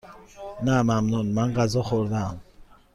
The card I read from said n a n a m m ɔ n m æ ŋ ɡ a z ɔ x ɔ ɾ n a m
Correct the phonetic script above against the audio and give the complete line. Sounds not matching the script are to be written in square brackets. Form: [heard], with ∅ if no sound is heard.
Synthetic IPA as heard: n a [m] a m [n] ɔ n m [a] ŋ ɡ a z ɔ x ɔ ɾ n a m